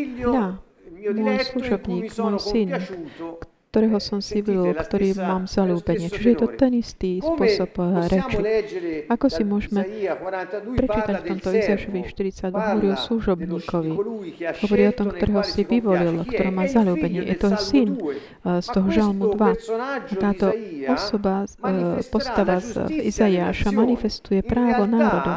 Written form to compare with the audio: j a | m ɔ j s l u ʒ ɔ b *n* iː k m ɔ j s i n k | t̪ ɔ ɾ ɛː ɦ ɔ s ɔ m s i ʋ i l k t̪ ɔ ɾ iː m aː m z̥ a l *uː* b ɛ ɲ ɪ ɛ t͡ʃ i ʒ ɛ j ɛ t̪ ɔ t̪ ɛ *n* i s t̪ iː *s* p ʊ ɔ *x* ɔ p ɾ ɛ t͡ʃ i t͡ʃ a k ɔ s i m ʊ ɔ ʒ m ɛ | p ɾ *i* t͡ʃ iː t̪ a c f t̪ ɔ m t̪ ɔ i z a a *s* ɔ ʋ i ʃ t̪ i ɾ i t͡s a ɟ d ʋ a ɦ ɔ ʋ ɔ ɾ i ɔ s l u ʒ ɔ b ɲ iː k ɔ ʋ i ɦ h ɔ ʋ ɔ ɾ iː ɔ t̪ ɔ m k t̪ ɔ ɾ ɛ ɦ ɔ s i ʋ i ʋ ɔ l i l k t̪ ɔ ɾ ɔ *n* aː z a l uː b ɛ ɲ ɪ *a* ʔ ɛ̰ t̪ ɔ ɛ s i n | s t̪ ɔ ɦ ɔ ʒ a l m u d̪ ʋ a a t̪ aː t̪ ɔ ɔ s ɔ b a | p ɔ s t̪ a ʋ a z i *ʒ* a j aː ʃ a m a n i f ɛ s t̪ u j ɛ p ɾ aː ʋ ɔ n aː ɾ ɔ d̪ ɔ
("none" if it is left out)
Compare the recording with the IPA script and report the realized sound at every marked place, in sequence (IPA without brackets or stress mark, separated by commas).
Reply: ɲ, uː, n, s, s, ɛ, ʃ, m, ɛ, z